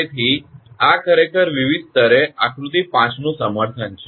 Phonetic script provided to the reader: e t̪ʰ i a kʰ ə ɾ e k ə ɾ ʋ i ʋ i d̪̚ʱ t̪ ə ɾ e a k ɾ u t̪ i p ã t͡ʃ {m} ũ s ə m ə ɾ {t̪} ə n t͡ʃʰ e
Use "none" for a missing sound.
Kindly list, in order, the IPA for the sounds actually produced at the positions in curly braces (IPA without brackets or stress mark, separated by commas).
n, t̪ʰ